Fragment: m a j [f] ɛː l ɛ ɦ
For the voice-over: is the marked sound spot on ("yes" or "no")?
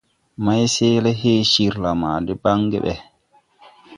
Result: no